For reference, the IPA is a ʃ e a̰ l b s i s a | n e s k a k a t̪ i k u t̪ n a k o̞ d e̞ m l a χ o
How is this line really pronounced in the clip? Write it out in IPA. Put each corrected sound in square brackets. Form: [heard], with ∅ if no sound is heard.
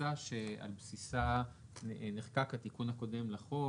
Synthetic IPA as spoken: a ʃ e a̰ l b s i s a | n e [χ] k a k a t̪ i k u [∅] n a k o̞ d e̞ m l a χ o